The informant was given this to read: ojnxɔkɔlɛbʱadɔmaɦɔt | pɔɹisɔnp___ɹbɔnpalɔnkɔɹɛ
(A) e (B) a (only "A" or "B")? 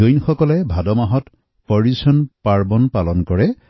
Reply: B